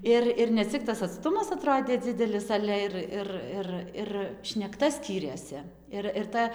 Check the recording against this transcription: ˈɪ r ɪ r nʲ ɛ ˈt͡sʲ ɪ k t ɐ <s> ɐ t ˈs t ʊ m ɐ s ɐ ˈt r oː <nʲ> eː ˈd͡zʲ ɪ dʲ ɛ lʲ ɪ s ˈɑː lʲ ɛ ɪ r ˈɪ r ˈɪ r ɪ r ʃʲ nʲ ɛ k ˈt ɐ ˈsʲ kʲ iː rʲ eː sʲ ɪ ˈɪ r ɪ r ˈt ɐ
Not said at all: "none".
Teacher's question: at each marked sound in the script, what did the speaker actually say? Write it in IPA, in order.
s, dʲ

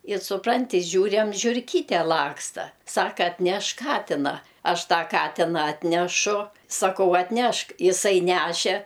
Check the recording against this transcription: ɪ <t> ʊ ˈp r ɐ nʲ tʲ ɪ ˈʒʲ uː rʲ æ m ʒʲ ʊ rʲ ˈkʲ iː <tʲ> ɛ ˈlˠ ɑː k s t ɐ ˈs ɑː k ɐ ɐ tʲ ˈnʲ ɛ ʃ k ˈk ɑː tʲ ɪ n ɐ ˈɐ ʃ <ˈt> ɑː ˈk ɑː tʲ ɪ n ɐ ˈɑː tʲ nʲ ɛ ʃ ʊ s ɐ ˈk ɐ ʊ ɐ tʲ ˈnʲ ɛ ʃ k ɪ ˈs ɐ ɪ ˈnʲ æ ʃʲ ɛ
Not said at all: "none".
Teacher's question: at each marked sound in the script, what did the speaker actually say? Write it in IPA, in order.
s, tʲ, t

